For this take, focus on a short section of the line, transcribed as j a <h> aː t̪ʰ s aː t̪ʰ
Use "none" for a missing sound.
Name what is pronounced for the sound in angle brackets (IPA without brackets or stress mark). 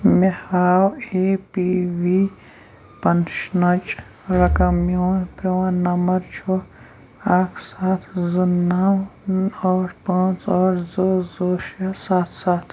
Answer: s